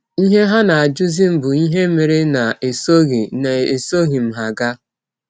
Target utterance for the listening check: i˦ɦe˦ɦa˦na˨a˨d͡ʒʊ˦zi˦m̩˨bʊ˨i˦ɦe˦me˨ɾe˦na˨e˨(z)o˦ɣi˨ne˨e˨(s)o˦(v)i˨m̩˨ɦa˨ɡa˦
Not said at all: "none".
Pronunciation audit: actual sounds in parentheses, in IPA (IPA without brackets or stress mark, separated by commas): s, s, ɣ